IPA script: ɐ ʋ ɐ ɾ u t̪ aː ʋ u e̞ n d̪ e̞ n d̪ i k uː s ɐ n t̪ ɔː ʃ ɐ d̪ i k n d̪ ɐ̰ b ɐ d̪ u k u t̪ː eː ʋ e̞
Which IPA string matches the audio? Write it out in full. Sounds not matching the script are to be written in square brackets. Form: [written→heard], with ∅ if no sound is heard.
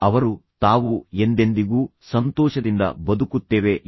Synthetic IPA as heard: ɐ ʋ ɐ ɾ u t̪ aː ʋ u e̞ n d̪ e̞ n d̪ i [k→ɡ] uː s ɐ n t̪ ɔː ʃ ɐ d̪ i [k→∅] n d̪ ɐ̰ b ɐ d̪ u k u t̪ː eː ʋ e̞